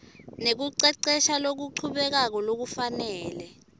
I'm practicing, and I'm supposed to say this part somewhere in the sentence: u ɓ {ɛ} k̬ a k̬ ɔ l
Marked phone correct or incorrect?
correct